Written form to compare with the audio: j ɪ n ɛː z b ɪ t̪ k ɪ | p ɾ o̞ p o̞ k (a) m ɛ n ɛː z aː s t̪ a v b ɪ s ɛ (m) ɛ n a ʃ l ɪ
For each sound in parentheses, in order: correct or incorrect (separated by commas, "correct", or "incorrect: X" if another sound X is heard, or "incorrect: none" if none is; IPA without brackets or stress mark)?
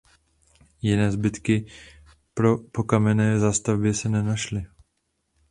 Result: correct, incorrect: n